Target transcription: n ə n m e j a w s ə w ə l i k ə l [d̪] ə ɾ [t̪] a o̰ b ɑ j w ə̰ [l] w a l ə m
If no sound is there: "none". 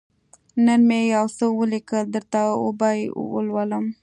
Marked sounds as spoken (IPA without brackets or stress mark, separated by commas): d̪, t̪, l